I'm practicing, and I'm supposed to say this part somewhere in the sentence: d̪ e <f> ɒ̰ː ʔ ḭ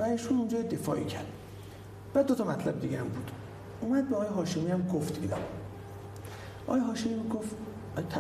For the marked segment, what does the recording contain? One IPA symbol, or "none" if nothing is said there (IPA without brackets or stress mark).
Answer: f